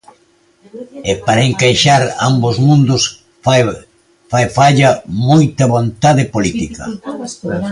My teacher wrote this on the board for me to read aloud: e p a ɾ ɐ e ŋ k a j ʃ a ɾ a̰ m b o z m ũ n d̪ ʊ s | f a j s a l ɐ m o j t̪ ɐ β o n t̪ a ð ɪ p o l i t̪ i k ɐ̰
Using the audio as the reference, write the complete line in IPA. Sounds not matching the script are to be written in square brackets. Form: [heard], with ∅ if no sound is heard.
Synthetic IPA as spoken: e p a ɾ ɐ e ŋ k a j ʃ a ɾ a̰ m b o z m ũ n d̪ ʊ s | f a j [f] a [ʎ] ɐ m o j t̪ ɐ β o n t̪ a ð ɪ p o l i t̪ i k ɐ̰